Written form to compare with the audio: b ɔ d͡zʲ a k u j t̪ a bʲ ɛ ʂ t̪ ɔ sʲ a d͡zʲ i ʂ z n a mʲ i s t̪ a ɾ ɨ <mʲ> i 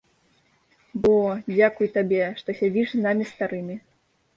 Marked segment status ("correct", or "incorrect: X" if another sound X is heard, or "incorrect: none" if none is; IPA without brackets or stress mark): correct